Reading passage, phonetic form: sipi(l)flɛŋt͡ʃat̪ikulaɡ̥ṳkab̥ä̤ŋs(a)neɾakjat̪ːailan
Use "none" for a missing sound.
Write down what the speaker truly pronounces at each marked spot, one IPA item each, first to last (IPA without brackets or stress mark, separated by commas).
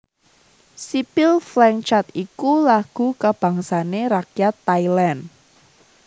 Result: l, a